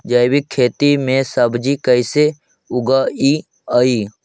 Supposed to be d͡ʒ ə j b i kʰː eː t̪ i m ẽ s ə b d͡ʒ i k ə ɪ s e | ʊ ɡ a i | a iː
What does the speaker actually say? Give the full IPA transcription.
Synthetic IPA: d͡ʒ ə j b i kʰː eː t̪ i m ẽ s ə b d͡ʒ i k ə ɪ s e | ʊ ɡ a i | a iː